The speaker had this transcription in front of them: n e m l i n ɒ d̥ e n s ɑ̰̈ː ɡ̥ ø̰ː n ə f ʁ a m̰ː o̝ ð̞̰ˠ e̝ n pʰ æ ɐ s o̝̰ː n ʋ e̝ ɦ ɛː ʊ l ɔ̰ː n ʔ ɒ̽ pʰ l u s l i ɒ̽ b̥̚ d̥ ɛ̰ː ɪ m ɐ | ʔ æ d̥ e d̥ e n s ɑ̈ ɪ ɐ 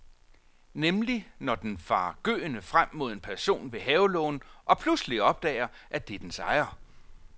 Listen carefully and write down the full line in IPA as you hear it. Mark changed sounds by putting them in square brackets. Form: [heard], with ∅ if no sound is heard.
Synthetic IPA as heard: n e m l i n ɒ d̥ e n [f] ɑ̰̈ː ɡ̥ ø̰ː n ə f ʁ a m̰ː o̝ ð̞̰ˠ e̝ n pʰ æ ɐ s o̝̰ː n ʋ e̝ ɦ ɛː ʊ l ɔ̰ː n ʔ ɒ̽ pʰ l u s l i ɒ̽ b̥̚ d̥ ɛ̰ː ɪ [∅] ɐ | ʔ æ d̥ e d̥ e n s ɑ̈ ɪ ɐ